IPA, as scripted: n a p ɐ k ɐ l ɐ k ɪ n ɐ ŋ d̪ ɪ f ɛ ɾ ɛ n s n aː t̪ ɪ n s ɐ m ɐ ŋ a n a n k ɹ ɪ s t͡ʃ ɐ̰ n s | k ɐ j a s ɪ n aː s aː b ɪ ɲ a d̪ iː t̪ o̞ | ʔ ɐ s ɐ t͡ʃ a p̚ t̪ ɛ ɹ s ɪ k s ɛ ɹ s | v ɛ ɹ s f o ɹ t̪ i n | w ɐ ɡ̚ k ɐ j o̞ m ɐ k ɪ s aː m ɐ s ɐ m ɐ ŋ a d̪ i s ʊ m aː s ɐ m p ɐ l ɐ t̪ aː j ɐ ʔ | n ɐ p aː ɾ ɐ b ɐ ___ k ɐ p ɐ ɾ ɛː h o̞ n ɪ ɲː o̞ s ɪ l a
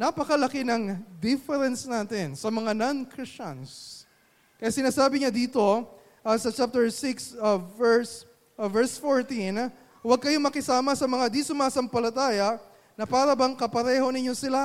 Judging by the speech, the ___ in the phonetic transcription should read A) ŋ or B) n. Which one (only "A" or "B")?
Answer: A